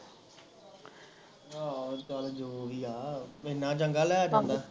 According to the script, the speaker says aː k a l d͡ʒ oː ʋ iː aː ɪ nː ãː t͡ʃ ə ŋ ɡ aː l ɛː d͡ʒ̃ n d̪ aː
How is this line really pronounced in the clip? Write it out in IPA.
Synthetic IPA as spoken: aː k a l d͡ʒ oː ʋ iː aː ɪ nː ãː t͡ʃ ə ŋ ɡ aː l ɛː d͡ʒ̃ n d̪ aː